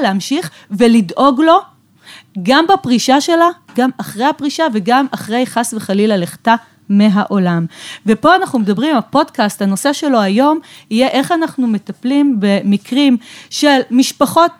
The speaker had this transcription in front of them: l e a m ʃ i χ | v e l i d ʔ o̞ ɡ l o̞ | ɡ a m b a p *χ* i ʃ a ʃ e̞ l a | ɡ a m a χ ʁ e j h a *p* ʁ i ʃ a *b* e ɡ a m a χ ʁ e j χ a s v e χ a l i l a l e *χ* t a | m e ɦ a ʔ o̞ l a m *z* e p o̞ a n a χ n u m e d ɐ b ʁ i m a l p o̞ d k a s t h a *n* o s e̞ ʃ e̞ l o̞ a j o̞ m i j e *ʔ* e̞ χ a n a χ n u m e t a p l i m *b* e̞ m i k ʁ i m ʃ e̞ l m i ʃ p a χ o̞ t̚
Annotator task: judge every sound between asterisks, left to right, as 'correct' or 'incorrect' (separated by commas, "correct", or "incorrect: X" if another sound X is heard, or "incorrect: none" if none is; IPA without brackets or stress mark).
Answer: incorrect: ʁ, correct, incorrect: v, correct, incorrect: v, correct, correct, correct